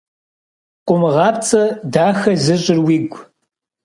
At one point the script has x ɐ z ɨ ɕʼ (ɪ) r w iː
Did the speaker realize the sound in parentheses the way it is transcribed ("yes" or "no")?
yes